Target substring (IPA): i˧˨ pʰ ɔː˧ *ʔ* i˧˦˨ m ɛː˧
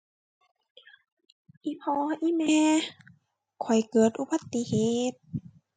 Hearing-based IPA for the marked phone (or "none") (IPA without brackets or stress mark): ʔ